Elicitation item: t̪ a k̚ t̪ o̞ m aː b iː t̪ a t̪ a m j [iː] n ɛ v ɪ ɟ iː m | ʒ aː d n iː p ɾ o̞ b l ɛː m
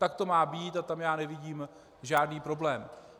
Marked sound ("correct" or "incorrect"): incorrect